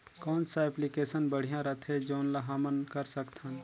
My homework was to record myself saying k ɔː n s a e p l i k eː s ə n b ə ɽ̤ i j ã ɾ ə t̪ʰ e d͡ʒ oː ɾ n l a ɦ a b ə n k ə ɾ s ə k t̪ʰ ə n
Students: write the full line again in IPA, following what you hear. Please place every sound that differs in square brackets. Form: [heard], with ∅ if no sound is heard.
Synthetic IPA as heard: k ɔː n s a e p l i k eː s ə n b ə ɽ̤ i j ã ɾ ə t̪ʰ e d͡ʒ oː [∅] n l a ɦ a [m] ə n k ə ɾ s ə k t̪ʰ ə n